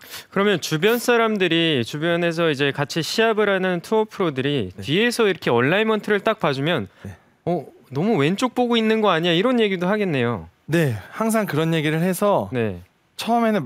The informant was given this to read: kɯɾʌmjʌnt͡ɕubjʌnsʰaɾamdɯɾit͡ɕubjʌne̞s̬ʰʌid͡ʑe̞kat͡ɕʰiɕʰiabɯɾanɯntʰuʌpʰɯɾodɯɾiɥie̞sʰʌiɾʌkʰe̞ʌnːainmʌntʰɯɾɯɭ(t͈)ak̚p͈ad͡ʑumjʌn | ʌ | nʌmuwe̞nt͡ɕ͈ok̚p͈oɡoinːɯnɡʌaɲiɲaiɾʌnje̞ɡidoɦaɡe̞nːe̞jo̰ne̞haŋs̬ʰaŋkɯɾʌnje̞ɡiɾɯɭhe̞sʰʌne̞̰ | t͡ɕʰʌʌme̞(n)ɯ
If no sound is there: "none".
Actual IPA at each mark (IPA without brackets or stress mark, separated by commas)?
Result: t͈, n